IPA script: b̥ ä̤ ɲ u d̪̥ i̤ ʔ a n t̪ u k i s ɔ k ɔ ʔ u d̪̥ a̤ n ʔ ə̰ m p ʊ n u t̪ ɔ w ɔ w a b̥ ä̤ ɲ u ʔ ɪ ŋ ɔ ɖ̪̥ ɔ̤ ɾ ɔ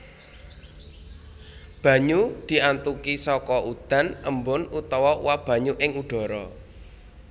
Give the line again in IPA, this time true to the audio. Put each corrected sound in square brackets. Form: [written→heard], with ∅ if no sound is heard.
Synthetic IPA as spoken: b̥ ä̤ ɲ u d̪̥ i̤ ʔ a n t̪ u k i s ɔ k ɔ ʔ u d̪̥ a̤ n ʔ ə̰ m [p→b] ʊ n u t̪ ɔ w ɔ w a b̥ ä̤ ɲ u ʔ ɪ ŋ [ɔ→u] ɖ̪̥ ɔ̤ ɾ ɔ